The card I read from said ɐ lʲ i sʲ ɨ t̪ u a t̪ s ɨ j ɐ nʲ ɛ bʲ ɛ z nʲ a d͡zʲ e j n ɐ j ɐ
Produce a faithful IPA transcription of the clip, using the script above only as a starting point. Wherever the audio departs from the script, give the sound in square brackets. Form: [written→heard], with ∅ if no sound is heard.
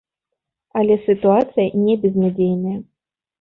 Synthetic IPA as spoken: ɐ lʲ [i→ɛ] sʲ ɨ t̪ u a t̪ s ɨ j ɐ nʲ ɛ bʲ ɛ z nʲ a d͡zʲ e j n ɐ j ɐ